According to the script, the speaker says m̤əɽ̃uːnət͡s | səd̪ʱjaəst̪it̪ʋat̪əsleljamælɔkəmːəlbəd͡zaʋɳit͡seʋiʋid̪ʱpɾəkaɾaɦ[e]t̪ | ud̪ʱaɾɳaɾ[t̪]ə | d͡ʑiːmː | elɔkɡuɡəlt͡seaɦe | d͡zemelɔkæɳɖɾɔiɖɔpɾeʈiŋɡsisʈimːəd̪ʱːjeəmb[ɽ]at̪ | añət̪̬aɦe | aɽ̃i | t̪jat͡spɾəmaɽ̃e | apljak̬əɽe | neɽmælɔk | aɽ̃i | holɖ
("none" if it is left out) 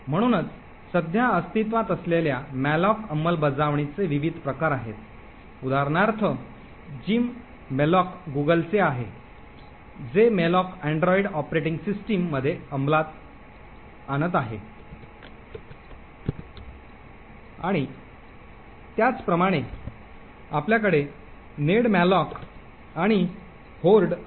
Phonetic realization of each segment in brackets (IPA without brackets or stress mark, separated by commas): e, t̪ʰ, l